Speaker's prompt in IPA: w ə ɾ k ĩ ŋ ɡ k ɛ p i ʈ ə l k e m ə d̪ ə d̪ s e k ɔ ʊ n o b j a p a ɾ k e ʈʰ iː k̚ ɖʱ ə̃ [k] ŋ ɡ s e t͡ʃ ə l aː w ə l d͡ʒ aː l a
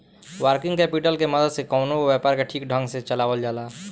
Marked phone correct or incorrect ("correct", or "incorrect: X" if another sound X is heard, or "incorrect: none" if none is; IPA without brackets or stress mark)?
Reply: incorrect: none